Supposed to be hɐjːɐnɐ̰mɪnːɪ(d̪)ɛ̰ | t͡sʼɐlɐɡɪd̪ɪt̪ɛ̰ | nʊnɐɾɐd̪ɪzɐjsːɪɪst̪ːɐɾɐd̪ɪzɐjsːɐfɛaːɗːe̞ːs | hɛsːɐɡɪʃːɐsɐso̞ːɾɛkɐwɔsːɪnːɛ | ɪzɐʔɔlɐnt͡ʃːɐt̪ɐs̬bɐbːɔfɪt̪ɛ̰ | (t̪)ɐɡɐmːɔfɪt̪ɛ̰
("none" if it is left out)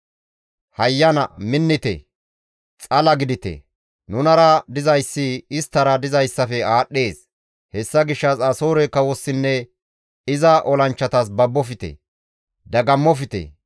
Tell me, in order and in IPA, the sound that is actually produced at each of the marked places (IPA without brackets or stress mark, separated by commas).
t̪, d̪